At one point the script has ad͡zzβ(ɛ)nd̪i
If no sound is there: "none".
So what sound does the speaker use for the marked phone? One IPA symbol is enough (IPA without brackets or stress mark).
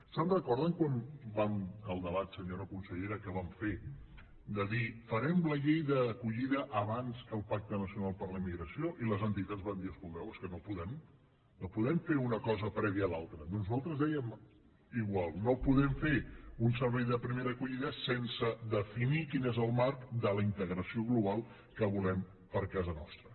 a